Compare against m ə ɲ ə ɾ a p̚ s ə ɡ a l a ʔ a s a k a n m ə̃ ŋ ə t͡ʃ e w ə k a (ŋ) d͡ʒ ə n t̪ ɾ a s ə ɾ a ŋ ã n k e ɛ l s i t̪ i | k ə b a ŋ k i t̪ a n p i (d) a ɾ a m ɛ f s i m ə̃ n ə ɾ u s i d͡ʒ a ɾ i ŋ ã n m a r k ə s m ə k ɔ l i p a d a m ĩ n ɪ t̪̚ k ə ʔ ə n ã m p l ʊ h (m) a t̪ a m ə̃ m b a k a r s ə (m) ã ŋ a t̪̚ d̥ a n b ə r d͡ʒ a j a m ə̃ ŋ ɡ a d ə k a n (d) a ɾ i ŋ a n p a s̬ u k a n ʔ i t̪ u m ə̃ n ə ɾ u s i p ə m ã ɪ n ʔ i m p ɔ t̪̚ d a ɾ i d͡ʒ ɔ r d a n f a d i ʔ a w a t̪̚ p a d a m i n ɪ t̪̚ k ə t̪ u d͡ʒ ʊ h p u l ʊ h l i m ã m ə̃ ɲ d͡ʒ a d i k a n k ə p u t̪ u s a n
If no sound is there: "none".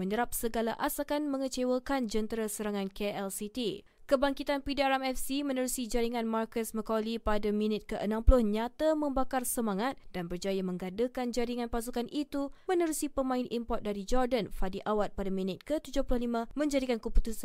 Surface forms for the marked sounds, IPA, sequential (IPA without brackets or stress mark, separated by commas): n, d, ɲ, m, d͡ʒ